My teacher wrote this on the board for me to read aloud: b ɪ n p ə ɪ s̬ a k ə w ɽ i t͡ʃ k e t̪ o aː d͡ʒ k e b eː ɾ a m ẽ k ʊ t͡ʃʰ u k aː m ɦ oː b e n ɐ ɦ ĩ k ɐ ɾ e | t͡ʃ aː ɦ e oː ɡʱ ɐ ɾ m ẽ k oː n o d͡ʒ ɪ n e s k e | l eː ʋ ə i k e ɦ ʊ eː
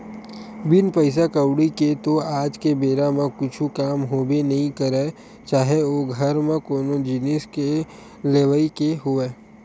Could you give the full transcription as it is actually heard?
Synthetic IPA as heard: b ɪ n p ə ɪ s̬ a k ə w ɽ i k e t̪ o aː d͡ʒ k e b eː ɾ a m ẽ k ʊ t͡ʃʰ u k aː m ɦ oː b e n ɐ ɦ ĩ k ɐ ɾ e | t͡ʃ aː ɦ e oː ɡʱ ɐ ɾ m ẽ k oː n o d͡ʒ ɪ n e s k e | l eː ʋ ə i k e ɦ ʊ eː